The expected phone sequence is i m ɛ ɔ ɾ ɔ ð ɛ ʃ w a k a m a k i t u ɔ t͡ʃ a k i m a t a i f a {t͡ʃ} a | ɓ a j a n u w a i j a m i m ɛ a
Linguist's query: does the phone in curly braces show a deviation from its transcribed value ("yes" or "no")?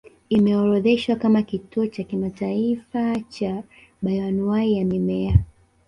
no